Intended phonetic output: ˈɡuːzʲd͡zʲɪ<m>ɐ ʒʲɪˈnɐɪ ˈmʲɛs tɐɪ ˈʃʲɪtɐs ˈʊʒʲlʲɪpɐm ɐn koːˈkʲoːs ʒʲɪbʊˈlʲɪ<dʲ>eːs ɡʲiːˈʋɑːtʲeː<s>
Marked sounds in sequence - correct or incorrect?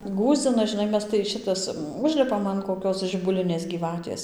incorrect, incorrect, correct

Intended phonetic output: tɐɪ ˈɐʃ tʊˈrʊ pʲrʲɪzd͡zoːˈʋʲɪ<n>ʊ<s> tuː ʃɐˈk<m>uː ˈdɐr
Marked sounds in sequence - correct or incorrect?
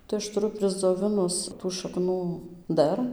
correct, correct, incorrect

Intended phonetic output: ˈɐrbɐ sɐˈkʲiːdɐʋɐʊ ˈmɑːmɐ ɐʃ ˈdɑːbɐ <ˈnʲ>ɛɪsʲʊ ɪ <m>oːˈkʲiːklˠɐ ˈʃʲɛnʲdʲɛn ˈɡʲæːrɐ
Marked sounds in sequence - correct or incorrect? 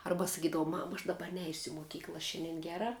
correct, correct

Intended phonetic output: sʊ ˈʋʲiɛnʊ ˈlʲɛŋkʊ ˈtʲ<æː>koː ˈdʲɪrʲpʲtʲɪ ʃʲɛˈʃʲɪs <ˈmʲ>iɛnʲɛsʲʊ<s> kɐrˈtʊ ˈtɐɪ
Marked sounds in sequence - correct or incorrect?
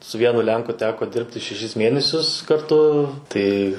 correct, correct, correct

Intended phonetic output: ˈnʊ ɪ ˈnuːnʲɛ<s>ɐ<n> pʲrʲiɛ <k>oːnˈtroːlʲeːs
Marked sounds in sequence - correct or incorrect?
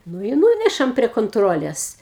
incorrect, incorrect, correct

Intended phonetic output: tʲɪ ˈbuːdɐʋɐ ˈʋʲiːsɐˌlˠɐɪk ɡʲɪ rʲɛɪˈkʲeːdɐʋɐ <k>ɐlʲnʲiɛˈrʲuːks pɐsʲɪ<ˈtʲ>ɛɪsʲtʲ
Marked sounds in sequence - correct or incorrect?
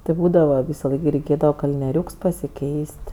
correct, incorrect

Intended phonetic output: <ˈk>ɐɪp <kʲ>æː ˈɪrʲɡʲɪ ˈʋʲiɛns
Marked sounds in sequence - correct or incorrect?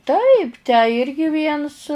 incorrect, incorrect

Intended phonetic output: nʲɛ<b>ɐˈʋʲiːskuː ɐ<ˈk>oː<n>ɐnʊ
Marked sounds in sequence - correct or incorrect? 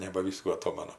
correct, incorrect, incorrect

